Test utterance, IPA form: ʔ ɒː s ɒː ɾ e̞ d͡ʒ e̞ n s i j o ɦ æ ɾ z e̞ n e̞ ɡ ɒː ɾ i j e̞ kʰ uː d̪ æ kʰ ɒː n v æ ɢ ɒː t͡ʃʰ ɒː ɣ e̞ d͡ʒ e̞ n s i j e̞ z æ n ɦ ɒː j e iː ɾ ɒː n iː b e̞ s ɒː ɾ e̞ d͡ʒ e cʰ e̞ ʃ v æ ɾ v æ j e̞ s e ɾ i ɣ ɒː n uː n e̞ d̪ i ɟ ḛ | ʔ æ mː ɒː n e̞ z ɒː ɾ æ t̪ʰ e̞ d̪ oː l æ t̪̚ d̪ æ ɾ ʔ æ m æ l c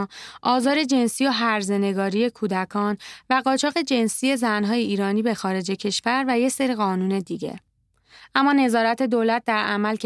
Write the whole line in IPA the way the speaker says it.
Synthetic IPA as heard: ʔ ɒː z ɒː ɾ e̞ d͡ʒ e̞ n s i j o ɦ æ ɾ z e̞ n e̞ ɡ ɒː ɾ i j e̞ kʰ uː d̪ æ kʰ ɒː n v æ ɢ ɒː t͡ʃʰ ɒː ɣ e̞ d͡ʒ e̞ n s i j e̞ z æ n ɦ ɒː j e iː ɾ ɒː n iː b e̞ x ɒː ɾ e̞ d͡ʒ e cʰ e̞ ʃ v æ ɾ v æ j e̞ s e ɾ i ɣ ɒː n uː n e̞ d̪ i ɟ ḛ | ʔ æ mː ɒː n e̞ z ɒː ɾ æ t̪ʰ e̞ d̪ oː l æ t̪̚ d̪ æ ɾ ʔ æ m æ l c